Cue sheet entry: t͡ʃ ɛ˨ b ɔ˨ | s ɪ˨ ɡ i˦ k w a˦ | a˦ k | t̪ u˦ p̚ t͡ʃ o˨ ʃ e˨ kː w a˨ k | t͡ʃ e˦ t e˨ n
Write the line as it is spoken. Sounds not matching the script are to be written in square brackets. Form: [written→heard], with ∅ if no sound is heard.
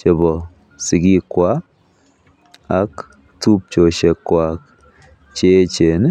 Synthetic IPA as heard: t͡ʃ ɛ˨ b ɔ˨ | s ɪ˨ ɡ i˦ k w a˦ | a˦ k | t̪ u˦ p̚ t͡ʃ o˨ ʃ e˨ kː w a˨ k | t͡ʃ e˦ [t→t͡ʃ] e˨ n